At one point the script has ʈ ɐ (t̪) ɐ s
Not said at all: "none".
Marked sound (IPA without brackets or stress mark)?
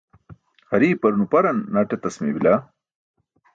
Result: t̪